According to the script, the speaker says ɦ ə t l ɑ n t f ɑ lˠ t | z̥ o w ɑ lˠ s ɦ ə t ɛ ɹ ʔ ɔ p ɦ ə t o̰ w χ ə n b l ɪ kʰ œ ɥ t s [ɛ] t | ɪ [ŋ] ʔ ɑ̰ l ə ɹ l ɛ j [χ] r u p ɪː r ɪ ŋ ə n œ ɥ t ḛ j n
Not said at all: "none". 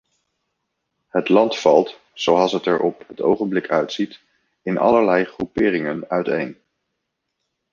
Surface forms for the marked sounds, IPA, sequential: i, n, χ

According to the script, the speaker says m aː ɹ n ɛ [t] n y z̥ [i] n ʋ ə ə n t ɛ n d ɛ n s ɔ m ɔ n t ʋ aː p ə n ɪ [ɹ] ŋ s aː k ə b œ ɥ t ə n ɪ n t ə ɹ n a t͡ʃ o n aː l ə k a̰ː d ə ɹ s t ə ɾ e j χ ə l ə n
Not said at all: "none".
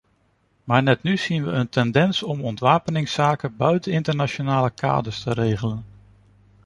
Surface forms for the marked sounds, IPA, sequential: t, i, none

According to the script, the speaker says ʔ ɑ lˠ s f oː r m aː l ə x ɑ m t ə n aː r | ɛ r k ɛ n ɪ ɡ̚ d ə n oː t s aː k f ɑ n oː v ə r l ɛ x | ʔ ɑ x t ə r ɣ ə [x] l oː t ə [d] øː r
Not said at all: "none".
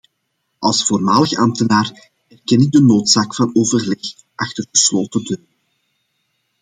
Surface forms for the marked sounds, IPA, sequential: s, d

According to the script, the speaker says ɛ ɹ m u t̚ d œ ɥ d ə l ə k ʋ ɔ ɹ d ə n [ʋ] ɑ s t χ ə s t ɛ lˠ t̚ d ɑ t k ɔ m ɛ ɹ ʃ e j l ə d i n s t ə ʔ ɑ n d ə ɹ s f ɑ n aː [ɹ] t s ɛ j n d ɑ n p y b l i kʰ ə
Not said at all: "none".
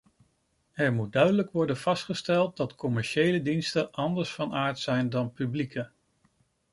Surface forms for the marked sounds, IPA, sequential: v, ɹ

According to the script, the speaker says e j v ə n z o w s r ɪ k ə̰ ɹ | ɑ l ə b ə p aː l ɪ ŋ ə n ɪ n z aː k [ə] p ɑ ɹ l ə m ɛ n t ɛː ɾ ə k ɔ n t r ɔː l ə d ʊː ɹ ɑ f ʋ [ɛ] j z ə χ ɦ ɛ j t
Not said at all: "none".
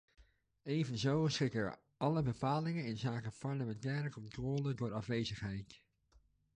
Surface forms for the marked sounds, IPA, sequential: ə, e

